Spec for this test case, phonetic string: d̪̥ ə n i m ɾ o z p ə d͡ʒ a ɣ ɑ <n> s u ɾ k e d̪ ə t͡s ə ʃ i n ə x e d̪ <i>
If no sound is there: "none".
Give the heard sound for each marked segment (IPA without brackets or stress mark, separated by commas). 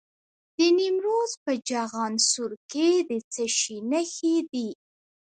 n, i